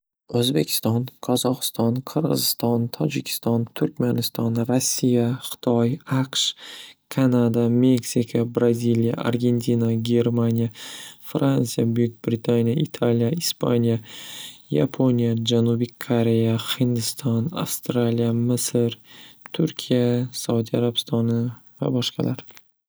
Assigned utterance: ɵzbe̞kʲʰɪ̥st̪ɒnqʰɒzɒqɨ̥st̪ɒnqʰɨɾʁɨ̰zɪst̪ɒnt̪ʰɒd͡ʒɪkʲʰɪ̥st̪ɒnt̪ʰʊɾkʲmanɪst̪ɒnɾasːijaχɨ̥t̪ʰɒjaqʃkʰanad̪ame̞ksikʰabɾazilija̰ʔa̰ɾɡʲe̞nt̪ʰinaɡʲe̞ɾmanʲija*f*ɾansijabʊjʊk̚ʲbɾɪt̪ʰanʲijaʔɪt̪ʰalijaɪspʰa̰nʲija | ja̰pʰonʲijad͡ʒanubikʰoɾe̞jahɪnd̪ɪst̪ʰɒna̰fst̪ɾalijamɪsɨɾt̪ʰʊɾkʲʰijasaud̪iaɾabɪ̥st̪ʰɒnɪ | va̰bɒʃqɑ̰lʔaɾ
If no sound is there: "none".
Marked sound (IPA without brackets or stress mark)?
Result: f